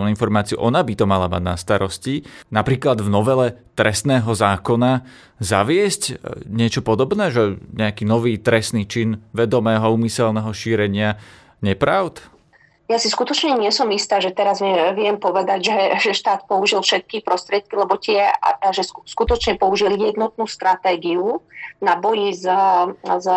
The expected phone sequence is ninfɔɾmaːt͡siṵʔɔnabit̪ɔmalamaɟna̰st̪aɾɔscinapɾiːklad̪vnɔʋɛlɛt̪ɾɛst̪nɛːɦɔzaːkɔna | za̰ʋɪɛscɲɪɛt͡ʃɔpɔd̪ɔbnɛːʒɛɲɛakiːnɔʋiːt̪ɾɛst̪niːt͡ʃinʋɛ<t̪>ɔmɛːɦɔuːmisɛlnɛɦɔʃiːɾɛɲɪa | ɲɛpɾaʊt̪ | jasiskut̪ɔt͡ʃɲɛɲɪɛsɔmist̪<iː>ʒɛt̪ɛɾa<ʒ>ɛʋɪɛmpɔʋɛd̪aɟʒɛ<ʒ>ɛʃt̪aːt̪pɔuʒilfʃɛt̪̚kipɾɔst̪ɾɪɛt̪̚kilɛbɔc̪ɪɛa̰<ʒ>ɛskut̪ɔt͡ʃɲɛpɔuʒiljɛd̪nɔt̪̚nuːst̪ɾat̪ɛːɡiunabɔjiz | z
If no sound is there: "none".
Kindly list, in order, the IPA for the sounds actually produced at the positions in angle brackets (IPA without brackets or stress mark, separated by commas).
d̪, aː, z, ʒ, ʒ